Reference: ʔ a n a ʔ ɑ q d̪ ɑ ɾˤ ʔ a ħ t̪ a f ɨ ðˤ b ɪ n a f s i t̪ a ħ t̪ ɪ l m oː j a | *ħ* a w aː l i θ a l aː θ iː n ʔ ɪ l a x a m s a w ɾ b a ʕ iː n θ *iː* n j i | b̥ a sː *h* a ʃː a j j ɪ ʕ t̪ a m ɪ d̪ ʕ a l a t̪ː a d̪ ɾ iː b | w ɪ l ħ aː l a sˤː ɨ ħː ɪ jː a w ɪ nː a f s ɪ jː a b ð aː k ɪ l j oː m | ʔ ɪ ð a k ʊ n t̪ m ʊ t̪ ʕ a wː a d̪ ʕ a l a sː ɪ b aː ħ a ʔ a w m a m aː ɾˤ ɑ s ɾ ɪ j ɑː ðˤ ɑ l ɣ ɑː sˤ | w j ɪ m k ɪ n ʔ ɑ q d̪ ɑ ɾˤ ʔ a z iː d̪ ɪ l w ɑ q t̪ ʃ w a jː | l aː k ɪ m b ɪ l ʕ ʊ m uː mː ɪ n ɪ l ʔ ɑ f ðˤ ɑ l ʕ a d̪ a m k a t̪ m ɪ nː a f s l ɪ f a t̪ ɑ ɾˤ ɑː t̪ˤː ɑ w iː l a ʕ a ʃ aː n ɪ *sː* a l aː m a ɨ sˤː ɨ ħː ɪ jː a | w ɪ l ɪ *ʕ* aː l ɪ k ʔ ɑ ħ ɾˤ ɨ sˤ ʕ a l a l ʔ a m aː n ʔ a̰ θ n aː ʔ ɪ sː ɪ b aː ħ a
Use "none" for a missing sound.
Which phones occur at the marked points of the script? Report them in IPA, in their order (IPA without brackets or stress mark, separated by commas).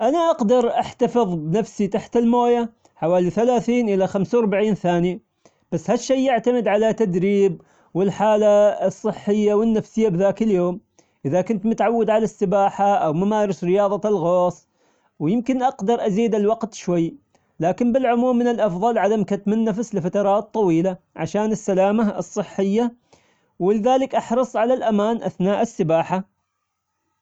ħ, aː, h, sː, ð